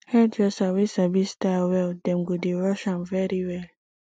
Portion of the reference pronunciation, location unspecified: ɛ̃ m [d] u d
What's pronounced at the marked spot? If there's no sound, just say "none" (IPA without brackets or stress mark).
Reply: ɡ